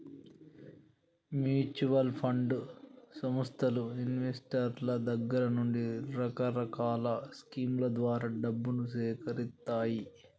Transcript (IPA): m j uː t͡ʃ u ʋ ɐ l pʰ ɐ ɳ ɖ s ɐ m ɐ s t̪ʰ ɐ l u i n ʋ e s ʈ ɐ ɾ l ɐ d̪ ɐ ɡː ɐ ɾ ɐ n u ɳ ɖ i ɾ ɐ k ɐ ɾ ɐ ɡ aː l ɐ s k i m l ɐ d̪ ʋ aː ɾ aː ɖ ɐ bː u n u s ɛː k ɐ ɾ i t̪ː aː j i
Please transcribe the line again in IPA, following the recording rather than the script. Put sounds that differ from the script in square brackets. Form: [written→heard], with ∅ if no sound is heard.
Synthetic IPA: m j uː t͡ʃ u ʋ ɐ l pʰ ɐ ɳ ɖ s ɐ m ɐ s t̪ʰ ɐ l u i n ʋ e s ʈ ɐ ɾ l ɐ d̪ ɐ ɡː ɐ ɾ ɐ n u ɳ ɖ i ɾ ɐ k ɐ ɾ ɐ [ɡ→k] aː l ɐ s k [i→iː] m l ɐ d̪ ʋ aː ɾ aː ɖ ɐ bː u n u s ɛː k ɐ ɾ i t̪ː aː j i

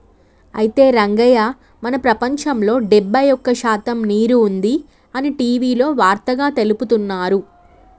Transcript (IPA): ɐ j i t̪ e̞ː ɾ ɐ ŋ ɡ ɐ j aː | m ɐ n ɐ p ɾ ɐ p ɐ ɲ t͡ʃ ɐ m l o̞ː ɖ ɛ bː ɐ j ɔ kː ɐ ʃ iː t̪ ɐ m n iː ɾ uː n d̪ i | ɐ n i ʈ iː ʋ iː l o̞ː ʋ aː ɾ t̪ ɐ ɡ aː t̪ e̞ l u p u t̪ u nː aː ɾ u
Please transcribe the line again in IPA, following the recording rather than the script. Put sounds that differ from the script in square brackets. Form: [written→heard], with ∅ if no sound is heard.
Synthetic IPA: ɐ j i t̪ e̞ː ɾ ɐ ŋ ɡ ɐ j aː | m ɐ n ɐ p ɾ ɐ p ɐ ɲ t͡ʃ ɐ m l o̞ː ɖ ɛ bː ɐ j ɔ kː ɐ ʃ [iː→aː] t̪ ɐ m n iː ɾ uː n d̪ i | ɐ n i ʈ iː ʋ iː l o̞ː ʋ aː ɾ t̪ ɐ ɡ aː t̪ e̞ l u p u t̪ u nː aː ɾ u

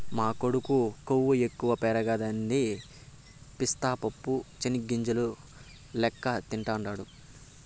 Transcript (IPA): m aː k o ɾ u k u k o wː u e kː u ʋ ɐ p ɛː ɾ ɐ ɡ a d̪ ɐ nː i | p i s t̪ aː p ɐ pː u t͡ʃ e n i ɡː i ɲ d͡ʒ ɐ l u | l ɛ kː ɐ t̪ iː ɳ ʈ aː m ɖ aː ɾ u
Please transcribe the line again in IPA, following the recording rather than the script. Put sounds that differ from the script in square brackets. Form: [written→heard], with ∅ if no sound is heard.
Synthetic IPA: m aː k o [ɾ→ɽ] u k u k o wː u e kː u ʋ ɐ p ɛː ɾ ɐ ɡ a d̪ ɐ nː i | p i s t̪ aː p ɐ pː u t͡ʃ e n i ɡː i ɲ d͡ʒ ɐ l u | l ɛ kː ɐ t̪ [iː→i] ɳ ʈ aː [m→ɳ] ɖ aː [ɾ→ɽ] u

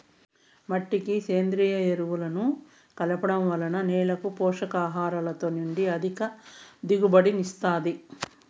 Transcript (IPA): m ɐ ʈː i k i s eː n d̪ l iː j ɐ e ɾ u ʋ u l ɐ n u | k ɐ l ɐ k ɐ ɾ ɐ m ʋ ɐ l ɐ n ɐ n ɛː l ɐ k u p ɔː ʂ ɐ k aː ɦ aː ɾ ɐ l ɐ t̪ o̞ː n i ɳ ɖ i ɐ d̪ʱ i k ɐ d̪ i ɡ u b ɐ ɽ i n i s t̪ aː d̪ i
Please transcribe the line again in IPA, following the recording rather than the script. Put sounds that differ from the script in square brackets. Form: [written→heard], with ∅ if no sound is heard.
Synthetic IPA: m ɐ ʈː i k i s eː n d̪ [l→ɾ] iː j ɐ e ɾ u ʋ u l ɐ n u | k ɐ l ɐ [k→p] ɐ [ɾ→ɽ] ɐ m ʋ ɐ l ɐ n ɐ n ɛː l ɐ k u p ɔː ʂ ɐ k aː ɦ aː ɾ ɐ l ɐ t̪ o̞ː n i ɳ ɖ i ɐ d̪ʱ i k ɐ d̪ i ɡ u b ɐ ɽ i n i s t̪ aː d̪ i

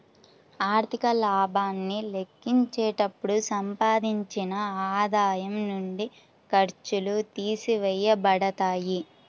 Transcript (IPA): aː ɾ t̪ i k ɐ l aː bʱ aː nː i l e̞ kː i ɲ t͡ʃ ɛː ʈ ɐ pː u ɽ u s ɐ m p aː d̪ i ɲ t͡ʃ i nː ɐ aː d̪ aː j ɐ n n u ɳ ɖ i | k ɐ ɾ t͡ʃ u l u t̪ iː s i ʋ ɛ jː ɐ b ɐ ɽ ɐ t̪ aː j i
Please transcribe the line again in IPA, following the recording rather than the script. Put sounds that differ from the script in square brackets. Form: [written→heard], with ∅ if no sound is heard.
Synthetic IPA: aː ɾ t̪ i k ɐ l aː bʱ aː nː i l e̞ kː i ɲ t͡ʃ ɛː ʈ ɐ pː u ɽ u s ɐ m p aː d̪ i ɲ t͡ʃ i [nː→n] ɐ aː d̪ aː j ɐ [n→m] n u ɳ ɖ i | k ɐ ɾ t͡ʃ u l u t̪ iː s i ʋ ɛ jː ɐ b ɐ ɽ ɐ t̪ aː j i

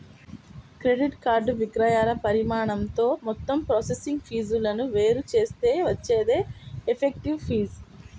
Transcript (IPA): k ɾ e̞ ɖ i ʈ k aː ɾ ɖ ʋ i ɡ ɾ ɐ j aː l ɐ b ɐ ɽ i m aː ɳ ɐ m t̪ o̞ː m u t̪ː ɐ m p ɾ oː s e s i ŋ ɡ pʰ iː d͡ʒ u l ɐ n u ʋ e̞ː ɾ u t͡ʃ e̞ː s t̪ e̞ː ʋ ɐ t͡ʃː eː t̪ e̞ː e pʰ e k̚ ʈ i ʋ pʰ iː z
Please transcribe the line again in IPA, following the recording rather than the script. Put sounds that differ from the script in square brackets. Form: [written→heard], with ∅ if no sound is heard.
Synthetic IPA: k ɾ e̞ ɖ i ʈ k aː ɾ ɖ ʋ i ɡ ɾ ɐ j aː l ɐ [b→p] ɐ [ɽ→ɾ] i m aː ɳ ɐ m t̪ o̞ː m [u→ɔ] t̪ː ɐ m p ɾ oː s e s i ŋ ɡ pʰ iː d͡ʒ u l ɐ n u ʋ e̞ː ɾ u t͡ʃ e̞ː s t̪ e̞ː ʋ ɐ t͡ʃː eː [t̪→d̪] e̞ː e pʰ e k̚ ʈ i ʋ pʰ iː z

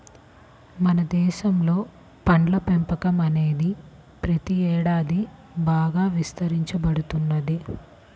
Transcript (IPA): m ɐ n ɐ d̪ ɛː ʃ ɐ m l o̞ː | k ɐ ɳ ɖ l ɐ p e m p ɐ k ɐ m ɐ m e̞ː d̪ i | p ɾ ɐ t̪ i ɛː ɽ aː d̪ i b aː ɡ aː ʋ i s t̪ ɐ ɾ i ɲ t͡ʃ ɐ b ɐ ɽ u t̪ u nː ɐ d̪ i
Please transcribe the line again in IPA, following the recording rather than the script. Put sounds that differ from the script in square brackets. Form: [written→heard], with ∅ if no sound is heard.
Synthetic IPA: m ɐ n ɐ d̪ ɛː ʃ ɐ m l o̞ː | [k→p] ɐ ɳ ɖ l ɐ p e m p ɐ k ɐ m ɐ [m→n] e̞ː d̪ i | p ɾ ɐ t̪ i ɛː ɽ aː d̪ i b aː ɡ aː ʋ i s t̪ ɐ ɾ i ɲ t͡ʃ ɐ b ɐ ɽ u t̪ u nː ɐ d̪ i

